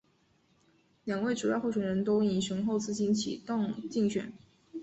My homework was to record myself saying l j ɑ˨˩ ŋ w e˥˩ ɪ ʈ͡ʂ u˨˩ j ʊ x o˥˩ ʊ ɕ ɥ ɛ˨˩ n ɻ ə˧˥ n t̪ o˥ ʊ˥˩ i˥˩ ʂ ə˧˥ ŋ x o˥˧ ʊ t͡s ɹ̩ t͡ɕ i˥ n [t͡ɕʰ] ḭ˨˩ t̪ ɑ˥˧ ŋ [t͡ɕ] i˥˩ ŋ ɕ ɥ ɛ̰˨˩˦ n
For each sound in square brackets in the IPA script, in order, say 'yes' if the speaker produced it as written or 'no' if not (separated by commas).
yes, yes